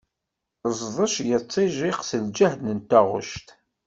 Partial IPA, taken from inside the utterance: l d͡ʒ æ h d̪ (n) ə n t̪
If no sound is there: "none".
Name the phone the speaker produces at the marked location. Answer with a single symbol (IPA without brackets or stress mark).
n